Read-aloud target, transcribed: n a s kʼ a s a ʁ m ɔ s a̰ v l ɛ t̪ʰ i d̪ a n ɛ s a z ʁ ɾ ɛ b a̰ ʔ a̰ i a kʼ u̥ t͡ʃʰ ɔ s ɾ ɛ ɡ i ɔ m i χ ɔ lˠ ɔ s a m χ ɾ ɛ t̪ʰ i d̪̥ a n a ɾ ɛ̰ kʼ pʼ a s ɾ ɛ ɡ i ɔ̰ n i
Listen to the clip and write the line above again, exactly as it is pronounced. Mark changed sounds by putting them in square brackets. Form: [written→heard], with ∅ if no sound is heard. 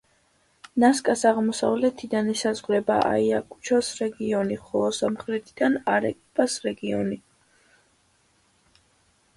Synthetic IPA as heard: n a s kʼ a s a ʁ m ɔ s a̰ v l ɛ t̪ʰ i d̪ a n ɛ s a z ʁ ɾ ɛ b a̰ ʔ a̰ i a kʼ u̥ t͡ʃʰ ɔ s ɾ ɛ ɡ i ɔ [m→n] i χ ɔ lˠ ɔ s a m χ ɾ ɛ t̪ʰ i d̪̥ a n a ɾ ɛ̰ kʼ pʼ a s ɾ ɛ ɡ i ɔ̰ n i